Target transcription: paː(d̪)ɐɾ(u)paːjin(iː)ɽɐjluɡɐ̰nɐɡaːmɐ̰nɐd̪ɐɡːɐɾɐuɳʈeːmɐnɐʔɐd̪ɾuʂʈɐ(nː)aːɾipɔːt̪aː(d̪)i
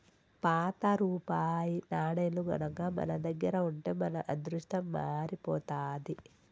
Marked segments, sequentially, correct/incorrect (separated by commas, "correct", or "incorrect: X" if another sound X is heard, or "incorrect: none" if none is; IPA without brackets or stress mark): incorrect: t̪, incorrect: uː, incorrect: aː, incorrect: mː, correct